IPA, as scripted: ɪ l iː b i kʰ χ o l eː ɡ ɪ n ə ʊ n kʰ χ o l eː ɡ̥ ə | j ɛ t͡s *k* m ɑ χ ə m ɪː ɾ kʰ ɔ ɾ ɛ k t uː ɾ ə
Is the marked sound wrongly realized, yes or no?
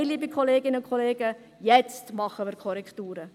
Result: yes